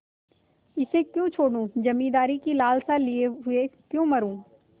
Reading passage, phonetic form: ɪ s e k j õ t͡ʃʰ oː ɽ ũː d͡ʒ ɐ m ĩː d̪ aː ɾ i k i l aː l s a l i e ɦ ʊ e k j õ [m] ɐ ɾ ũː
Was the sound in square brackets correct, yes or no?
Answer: yes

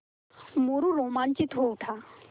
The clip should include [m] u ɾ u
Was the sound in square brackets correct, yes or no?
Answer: yes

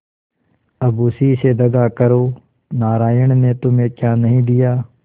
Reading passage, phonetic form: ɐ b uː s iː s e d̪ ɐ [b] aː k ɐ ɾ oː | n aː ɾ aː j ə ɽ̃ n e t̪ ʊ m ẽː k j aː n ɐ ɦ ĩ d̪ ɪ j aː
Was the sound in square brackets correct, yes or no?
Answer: no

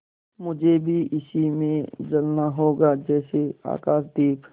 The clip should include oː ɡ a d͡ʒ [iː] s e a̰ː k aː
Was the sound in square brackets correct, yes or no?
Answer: no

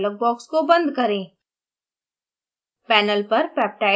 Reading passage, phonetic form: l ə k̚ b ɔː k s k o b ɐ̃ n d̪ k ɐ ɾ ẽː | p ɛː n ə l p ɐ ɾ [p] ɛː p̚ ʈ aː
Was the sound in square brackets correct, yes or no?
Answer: yes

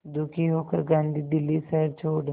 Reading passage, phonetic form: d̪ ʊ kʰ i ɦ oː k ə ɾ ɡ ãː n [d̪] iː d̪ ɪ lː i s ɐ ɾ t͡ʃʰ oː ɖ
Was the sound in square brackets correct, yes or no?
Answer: yes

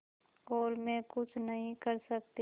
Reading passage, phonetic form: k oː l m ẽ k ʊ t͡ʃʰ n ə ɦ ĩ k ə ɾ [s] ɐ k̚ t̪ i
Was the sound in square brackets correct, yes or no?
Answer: yes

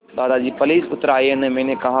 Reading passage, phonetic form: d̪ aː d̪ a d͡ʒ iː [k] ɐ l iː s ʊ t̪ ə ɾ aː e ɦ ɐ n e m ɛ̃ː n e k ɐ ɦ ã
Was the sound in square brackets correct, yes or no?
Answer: no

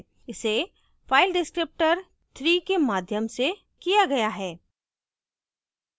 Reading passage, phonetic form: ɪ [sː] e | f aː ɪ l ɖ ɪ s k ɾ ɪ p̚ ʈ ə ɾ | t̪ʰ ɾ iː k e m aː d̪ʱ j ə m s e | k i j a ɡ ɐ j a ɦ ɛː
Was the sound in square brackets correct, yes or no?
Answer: no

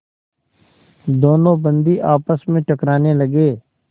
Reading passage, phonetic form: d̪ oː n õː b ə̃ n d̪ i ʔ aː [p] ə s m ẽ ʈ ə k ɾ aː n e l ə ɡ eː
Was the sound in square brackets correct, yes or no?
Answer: yes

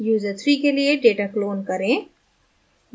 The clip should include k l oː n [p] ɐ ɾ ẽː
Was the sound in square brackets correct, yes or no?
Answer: no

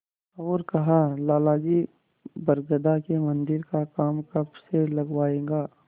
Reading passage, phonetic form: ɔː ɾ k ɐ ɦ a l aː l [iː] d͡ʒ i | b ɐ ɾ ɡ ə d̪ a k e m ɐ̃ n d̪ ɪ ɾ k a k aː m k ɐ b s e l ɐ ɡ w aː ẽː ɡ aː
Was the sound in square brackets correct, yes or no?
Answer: no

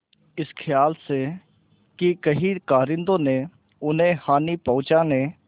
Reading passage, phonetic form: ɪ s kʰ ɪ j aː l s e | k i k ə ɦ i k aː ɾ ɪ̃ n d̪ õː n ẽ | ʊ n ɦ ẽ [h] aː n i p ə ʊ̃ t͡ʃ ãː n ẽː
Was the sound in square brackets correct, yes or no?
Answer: yes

